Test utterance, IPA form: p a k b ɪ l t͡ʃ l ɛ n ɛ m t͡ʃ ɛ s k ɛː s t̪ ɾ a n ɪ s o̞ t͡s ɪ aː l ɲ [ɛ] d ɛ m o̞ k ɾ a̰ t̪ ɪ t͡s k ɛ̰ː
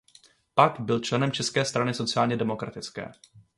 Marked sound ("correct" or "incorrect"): correct